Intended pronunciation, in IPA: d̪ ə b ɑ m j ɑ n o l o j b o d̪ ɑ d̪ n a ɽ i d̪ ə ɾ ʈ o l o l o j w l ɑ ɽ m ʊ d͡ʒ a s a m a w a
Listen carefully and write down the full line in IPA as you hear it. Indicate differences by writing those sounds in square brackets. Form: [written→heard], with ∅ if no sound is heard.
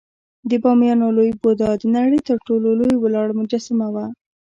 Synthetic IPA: d̪ ə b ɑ m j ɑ n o l o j b o d̪ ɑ d̪ n a ɽ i [d̪→t̪] ə ɾ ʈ o l o l o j w l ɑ ɽ m ʊ d͡ʒ a s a m a w a